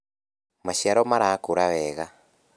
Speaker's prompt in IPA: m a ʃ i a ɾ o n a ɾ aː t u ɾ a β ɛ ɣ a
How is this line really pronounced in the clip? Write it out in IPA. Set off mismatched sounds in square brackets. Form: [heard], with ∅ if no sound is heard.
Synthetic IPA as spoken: m a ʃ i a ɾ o [m] a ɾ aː [k] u ɾ a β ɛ ɣ a